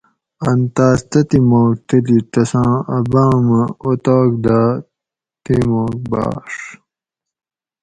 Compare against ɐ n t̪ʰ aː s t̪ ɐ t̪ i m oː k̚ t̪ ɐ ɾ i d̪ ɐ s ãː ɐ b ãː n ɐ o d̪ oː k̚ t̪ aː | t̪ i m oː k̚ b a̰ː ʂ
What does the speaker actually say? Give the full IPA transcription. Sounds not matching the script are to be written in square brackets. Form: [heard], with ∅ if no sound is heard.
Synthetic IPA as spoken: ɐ n [t̪] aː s t̪ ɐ t̪ i m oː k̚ t̪ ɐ [l] i [t̪] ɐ s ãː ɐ b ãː [m] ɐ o [t̪] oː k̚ [d̪] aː | t̪ i m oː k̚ b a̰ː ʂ